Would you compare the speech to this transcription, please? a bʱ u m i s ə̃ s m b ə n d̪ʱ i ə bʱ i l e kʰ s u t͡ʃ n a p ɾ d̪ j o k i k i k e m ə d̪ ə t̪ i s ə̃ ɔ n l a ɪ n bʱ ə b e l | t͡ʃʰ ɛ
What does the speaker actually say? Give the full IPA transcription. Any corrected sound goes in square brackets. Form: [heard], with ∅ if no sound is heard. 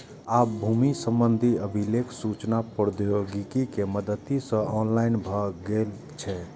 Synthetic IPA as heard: a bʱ u m i s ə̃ [∅] m b ə n d̪ʱ i ə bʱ i l e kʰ s u t͡ʃ n a p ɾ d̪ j o [ɡ] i k i k e m ə d̪ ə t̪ i s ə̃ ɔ n l a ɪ n bʱ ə [ɡ] e l | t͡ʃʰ ɛ